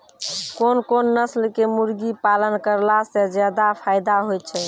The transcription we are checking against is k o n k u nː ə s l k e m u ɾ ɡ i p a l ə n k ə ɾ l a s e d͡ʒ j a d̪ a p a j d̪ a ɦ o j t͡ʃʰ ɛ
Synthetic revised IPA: k o n k o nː ə s l k e m u ɾ ɡ i p a l ə n k ə ɾ l a s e d͡ʒ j a d̪ a pʰ a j d̪ a ɦ o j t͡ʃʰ ɛ